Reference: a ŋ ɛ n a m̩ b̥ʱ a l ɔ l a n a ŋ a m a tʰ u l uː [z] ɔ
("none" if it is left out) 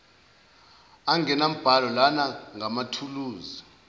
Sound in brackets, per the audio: z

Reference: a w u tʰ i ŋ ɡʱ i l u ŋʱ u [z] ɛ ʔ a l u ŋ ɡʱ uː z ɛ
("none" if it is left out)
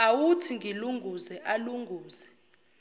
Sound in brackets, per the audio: z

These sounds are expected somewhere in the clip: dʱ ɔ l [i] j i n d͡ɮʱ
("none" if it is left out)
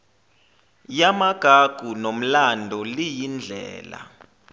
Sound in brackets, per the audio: i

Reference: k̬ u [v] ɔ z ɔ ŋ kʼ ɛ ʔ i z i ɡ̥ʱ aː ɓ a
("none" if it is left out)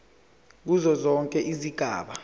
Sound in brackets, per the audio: z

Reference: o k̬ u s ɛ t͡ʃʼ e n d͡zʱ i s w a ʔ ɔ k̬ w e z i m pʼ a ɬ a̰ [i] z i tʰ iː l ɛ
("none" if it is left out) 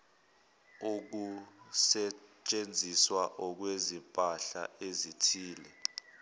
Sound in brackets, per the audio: e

